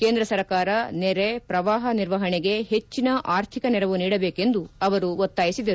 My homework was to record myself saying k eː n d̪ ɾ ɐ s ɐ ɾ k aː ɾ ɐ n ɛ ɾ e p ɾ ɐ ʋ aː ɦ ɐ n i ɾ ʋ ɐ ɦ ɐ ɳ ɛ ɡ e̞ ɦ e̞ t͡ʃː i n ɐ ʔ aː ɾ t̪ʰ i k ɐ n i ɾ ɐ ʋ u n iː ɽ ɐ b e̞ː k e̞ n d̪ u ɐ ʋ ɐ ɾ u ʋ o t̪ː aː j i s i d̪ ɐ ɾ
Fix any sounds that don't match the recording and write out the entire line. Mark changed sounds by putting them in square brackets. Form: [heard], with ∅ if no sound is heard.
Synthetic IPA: k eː n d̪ ɾ ɐ s ɐ ɾ k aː ɾ ɐ n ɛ ɾ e p ɾ ɐ ʋ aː ɦ ɐ n i ɾ ʋ ɐ ɦ ɐ ɳ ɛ ɡ e̞ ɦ e̞ t͡ʃː i n ɐ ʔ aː ɾ t̪ʰ i k ɐ n [ɛ] ɾ ɐ ʋ u n iː ɽ ɐ b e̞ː k e̞ n d̪ u ɐ ʋ ɐ ɾ u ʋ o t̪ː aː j i s i d̪ ɐ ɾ